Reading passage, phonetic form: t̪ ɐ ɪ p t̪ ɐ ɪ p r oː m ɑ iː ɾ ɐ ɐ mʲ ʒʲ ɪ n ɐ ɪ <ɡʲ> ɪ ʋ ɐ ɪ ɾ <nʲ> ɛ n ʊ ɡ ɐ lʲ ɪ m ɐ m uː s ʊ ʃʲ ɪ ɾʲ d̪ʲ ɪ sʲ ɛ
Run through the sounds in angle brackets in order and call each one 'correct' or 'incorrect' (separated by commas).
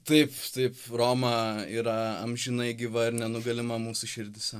correct, correct